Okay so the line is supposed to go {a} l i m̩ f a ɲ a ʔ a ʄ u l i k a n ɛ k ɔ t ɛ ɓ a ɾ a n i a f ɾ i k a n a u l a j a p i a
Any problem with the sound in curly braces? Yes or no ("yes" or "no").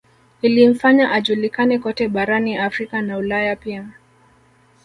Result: yes